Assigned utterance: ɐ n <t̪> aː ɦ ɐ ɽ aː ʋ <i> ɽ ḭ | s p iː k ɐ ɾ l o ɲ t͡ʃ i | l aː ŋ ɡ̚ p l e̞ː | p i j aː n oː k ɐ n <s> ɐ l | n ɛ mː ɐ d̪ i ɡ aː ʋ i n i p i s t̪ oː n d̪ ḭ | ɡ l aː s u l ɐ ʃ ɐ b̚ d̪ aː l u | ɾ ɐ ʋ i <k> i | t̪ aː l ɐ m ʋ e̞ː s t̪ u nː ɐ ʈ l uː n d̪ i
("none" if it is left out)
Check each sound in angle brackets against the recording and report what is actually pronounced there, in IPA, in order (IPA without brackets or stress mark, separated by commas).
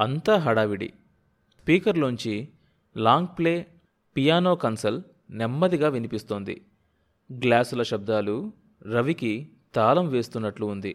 t̪, i, s, k